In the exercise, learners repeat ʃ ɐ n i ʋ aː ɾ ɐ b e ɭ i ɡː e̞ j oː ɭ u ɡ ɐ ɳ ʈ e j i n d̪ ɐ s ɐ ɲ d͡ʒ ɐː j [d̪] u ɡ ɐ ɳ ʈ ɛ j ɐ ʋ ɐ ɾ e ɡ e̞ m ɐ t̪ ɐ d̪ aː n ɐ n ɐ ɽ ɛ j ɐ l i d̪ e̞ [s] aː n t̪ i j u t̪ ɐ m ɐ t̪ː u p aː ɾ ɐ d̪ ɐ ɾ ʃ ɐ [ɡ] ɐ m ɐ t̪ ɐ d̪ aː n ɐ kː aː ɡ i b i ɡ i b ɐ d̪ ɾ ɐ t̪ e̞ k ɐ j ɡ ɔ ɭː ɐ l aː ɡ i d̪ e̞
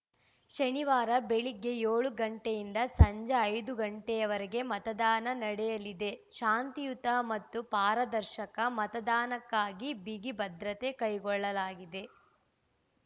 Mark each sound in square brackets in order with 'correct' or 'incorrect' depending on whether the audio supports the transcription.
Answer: correct, incorrect: ʃ, incorrect: k

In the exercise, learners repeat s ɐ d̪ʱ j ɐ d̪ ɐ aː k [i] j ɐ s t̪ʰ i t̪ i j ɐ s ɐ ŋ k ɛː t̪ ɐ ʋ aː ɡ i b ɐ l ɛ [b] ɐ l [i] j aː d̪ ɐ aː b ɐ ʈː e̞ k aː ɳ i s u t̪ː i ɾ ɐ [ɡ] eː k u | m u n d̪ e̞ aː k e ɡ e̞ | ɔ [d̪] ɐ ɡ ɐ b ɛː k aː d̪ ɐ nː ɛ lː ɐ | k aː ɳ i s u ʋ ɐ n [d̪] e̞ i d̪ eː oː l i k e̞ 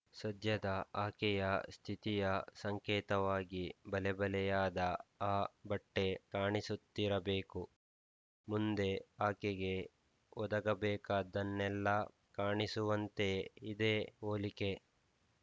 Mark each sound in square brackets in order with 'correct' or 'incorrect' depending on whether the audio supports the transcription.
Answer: incorrect: ɛ, correct, incorrect: ɛ, incorrect: b, correct, incorrect: t̪

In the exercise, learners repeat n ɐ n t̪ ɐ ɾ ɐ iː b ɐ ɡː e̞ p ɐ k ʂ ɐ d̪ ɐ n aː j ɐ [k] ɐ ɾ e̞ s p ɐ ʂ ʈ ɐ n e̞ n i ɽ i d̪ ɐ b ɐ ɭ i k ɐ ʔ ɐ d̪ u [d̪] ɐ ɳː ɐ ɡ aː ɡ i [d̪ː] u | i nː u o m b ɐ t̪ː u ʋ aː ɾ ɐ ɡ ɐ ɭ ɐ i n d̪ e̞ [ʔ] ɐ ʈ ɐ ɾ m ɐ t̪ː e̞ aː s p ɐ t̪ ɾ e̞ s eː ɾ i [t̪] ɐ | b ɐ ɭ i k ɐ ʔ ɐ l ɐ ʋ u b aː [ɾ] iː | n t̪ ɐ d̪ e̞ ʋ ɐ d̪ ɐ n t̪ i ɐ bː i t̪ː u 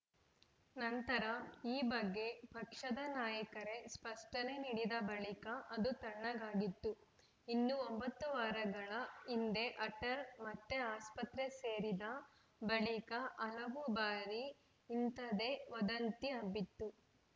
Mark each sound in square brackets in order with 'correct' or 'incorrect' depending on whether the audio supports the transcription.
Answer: correct, incorrect: t̪, incorrect: t̪ː, correct, incorrect: d̪, correct

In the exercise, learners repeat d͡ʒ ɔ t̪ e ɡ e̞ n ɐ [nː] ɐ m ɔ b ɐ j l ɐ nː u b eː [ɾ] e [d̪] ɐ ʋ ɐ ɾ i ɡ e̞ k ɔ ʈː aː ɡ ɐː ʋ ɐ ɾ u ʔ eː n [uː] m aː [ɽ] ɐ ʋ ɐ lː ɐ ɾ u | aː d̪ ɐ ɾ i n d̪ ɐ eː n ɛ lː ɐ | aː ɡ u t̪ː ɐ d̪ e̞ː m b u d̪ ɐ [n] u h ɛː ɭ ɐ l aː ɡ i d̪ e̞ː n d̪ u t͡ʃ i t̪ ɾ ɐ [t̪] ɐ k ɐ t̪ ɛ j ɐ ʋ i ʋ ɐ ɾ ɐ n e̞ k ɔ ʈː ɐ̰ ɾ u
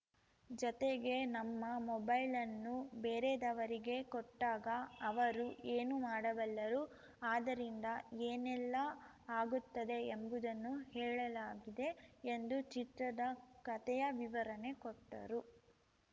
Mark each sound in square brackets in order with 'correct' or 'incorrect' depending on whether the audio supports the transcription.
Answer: incorrect: mː, correct, correct, incorrect: u, correct, incorrect: nː, incorrect: d̪

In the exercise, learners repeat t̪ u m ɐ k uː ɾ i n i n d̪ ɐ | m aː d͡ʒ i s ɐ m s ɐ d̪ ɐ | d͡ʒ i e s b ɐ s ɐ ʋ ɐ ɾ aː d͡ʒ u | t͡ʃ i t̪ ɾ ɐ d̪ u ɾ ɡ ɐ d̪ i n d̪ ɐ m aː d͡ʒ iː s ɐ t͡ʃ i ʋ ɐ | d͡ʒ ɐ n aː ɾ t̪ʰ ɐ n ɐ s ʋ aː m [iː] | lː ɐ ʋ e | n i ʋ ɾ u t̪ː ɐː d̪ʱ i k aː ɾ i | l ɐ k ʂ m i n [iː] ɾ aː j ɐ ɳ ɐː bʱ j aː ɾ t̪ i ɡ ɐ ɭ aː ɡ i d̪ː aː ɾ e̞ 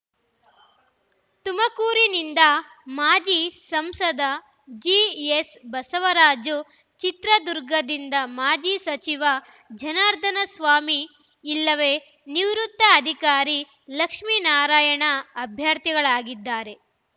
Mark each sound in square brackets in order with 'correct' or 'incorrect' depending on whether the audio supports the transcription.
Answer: correct, incorrect: aː

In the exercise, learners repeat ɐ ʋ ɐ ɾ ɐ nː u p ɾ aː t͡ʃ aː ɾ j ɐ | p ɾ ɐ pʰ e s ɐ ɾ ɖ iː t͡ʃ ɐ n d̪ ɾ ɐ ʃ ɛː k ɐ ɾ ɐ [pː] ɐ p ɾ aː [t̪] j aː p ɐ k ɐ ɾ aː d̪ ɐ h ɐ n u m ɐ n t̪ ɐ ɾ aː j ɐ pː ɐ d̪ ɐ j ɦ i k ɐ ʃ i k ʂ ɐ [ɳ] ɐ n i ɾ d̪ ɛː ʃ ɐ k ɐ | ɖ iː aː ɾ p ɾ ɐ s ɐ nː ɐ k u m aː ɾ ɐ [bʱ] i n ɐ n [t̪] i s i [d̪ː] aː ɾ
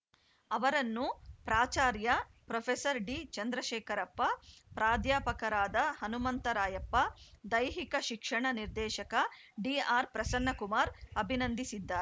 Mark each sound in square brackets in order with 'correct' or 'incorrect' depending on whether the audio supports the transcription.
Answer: correct, incorrect: d̪, correct, correct, incorrect: d̪, correct

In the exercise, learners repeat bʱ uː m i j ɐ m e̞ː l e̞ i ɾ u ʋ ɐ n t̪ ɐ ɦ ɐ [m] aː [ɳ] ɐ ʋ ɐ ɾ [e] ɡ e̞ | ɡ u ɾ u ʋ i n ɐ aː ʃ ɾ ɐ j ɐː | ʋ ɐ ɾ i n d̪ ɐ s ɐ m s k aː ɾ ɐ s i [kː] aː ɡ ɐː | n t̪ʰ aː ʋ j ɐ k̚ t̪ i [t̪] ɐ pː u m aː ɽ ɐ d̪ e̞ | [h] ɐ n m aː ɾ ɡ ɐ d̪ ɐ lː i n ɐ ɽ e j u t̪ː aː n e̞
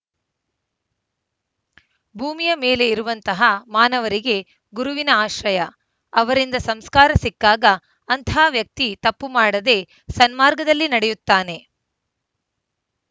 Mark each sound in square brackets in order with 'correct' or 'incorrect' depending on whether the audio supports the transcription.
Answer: correct, incorrect: n, incorrect: i, correct, correct, incorrect: s

